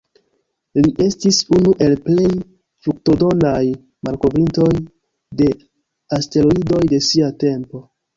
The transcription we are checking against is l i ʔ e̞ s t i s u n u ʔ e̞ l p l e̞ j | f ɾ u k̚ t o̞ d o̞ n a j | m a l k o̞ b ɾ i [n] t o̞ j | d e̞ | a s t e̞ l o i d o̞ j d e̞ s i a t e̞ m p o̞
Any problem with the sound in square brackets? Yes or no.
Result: no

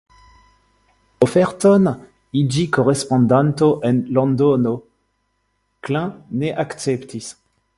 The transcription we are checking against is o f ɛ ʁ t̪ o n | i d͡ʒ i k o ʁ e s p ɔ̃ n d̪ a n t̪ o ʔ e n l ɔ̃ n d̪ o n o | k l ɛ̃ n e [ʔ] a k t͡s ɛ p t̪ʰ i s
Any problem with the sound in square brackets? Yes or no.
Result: no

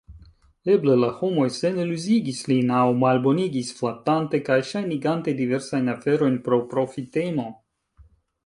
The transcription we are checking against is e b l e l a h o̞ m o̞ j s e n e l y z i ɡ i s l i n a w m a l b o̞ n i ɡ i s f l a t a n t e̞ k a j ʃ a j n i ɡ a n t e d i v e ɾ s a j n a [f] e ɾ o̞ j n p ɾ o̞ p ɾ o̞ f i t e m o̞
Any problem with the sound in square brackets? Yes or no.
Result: no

